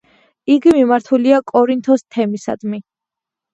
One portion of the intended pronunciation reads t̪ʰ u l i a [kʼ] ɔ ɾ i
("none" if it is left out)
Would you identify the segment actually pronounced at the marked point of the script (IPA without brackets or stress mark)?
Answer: kʼ